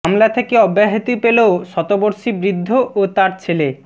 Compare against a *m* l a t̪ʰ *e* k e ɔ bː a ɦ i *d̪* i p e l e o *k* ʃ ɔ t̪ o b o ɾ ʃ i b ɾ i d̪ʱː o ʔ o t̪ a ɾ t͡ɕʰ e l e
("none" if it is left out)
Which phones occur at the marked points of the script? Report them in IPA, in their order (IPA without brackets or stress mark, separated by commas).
m, e, t̪, none